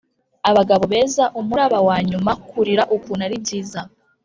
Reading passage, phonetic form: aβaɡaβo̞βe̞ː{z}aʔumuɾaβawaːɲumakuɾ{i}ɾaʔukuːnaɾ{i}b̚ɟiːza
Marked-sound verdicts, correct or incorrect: correct, correct, correct

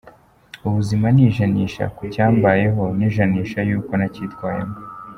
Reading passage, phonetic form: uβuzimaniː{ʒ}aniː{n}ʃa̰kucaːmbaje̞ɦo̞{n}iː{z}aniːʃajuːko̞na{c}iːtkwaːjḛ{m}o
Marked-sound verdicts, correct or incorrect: correct, incorrect: none, correct, incorrect: ʒ, correct, correct

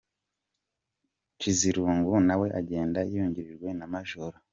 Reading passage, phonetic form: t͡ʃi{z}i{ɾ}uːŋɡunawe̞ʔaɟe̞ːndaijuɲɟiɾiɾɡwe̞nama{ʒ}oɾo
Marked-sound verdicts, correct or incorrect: correct, correct, correct

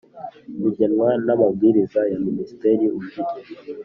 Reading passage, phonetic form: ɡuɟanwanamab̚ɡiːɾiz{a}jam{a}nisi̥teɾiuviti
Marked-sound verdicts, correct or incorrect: correct, incorrect: i

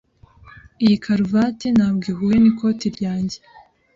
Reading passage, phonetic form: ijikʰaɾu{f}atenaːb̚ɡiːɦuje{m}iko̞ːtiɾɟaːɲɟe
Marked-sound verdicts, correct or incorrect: incorrect: v, incorrect: n

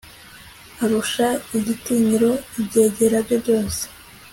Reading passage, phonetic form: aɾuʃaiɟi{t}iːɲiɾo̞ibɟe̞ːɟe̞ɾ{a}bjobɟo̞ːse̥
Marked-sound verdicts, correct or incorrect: correct, correct

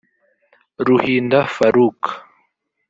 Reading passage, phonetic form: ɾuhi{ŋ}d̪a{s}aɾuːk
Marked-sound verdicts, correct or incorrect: incorrect: n, incorrect: f

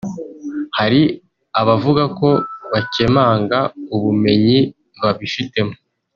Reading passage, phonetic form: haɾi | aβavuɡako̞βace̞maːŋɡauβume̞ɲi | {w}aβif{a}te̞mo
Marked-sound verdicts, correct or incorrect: incorrect: β, incorrect: i

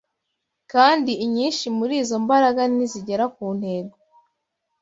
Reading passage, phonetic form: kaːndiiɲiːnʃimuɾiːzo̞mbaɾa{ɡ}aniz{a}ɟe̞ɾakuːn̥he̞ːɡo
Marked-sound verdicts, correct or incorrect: correct, incorrect: i

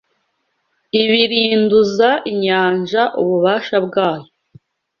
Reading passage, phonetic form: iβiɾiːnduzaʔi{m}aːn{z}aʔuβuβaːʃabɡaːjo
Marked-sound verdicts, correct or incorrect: incorrect: ɲ, incorrect: ʒ

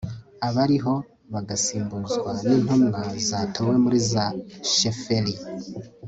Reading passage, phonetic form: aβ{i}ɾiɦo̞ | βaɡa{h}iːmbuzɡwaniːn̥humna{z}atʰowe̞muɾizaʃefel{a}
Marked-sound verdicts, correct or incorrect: incorrect: a, incorrect: s, correct, incorrect: i

